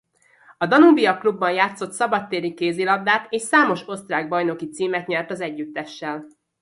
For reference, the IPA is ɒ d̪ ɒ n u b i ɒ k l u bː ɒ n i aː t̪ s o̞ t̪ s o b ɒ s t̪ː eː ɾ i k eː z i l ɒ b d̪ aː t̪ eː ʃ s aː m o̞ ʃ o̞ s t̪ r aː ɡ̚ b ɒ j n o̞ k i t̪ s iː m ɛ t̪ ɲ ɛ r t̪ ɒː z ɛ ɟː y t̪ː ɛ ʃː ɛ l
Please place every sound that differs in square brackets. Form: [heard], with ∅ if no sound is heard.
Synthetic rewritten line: ɒ d̪ ɒ n u b i ɒ k l u bː ɒ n [j] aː t̪ s o̞ t̪ s [ɒ] b ɒ [∅] t̪ː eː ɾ i k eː z i l ɒ b d̪ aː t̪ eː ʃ s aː m o̞ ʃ o̞ s t̪ r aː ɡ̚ b ɒ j n o̞ k i t̪ s iː m ɛ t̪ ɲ ɛ r t̪ [ɒ] z ɛ ɟː y t̪ː ɛ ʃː ɛ l

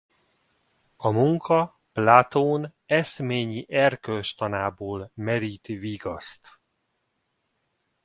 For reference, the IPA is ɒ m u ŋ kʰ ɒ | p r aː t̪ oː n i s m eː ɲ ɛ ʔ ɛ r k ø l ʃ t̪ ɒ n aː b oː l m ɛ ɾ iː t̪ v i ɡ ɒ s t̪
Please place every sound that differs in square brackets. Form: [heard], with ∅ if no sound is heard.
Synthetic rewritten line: ɒ m u ŋ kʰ ɒ | p [l] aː t̪ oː n [ɛ] s m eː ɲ [i] ʔ ɛ r k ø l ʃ t̪ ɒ n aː b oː l m ɛ ɾ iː t̪ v i ɡ ɒ s t̪

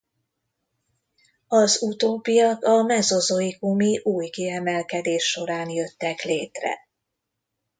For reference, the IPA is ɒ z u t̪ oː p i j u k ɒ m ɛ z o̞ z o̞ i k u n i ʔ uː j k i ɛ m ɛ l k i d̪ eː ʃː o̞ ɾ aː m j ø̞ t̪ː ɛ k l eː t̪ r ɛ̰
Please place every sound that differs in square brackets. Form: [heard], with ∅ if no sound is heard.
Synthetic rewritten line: ɒ z u t̪ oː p i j [ɒ] k ɒ m ɛ z o̞ z o̞ i k u [m] i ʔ uː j k i ɛ m ɛ l k [ɛ] d̪ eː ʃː o̞ ɾ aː [n] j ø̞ t̪ː ɛ k l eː t̪ r ɛ̰

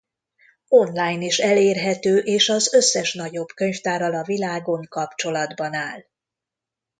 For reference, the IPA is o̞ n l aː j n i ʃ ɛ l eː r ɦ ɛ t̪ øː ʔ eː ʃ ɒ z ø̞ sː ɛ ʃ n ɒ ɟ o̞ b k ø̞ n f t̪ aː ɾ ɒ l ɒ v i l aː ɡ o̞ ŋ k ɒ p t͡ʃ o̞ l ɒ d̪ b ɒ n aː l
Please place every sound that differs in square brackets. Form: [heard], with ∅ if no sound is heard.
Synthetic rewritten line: o̞ n l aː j n i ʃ ɛ l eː r ɦ ɛ t̪ øː ʔ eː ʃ ɒ z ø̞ sː ɛ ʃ n ɒ ɟ o̞ b k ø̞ [ɲ] f t̪ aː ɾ ɒ l ɒ v i l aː ɡ o̞ ŋ k ɒ p t͡ʃ o̞ l ɒ d̪ b ɒ n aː l

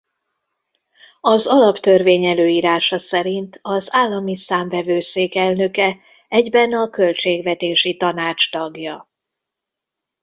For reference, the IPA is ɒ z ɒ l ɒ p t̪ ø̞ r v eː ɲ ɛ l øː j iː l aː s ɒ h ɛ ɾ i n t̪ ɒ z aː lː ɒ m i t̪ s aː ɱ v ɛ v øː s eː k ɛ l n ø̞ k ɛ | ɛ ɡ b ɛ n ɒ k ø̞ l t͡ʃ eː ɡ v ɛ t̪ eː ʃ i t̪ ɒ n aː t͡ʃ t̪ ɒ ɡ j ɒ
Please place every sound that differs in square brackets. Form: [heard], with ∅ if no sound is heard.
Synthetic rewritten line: ɒ z ɒ l ɒ p t̪ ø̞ r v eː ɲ ɛ l øː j iː [ɾ] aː [ʃ] ɒ [s] ɛ ɾ i n t̪ ɒ z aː lː ɒ m i [∅] s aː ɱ v ɛ v øː s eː k ɛ l n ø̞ k ɛ | ɛ [ɟ] b ɛ n ɒ k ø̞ l t͡ʃ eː ɡ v ɛ t̪ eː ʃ i t̪ ɒ n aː t͡ʃ t̪ ɒ ɡ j ɒ

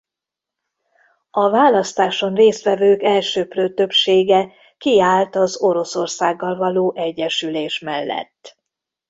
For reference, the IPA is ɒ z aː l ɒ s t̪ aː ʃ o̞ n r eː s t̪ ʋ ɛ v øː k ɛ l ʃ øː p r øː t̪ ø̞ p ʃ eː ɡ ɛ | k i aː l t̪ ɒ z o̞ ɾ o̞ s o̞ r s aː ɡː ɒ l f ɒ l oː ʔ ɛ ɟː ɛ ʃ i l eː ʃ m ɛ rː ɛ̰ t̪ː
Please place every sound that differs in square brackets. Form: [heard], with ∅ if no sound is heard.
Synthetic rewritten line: ɒ [v] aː l ɒ s t̪ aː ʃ o̞ n r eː s t̪ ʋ ɛ v øː k ɛ l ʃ øː p r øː t̪ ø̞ p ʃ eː ɡ ɛ | k i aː l t̪ ɒ z o̞ ɾ o̞ s o̞ r s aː ɡː ɒ l [v] ɒ l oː ʔ ɛ ɟː ɛ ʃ [y] l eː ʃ m ɛ [lː] ɛ̰ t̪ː

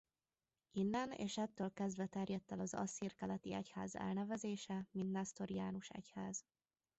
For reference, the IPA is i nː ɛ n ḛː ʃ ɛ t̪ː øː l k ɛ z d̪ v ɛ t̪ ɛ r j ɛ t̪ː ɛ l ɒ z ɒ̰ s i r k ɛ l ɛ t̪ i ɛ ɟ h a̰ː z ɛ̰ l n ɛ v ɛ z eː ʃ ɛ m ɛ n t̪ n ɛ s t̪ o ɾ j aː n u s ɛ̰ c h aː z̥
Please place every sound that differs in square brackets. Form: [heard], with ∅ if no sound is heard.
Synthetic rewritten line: i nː ɛ n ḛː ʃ ɛ t̪ː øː l k ɛ z d̪ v ɛ t̪ ɛ r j ɛ t̪ː ɛ l ɒ z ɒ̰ s i r k ɛ l ɛ t̪ i ɛ [c] h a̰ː z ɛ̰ l n ɛ v ɛ z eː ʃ ɛ m [i] n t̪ n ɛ s t̪ o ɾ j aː n u [ʃ] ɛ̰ c h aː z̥

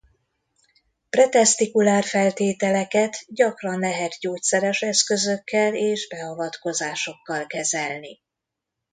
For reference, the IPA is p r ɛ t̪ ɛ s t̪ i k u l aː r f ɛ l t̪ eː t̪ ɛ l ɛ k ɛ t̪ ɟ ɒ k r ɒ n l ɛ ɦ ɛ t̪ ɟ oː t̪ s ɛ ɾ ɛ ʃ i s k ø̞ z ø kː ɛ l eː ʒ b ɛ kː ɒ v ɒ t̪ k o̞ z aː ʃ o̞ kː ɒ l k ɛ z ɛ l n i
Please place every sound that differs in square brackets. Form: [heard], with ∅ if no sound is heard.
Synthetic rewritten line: p r ɛ t̪ ɛ s t̪ i k u l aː r f ɛ l t̪ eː t̪ ɛ l ɛ k ɛ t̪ ɟ ɒ k r ɒ n l ɛ ɦ ɛ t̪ ɟ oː t̪ s ɛ ɾ ɛ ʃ [ɛ] s k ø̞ z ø kː ɛ l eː ʒ b ɛ [∅] ɒ v ɒ t̪ k o̞ z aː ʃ o̞ kː ɒ l k ɛ z ɛ l n i

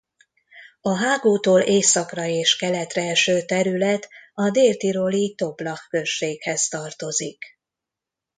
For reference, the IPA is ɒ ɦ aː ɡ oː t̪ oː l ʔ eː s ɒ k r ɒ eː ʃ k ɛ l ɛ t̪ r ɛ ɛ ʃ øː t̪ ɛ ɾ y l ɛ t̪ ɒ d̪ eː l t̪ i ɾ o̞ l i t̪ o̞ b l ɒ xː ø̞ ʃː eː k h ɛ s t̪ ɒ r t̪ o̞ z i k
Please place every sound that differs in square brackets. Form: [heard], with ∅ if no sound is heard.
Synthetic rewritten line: ɒ ɦ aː ɡ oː t̪ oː l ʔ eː s ɒ k r ɒ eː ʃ k ɛ l ɛ t̪ r ɛ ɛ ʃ øː t̪ ɛ ɾ y l ɛ t̪ ɒ d̪ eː l t̪ i ɾ o̞ l i t̪ o̞ b l ɒ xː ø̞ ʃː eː k h ɛ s t̪ ɒ r t̪ o̞ z i k

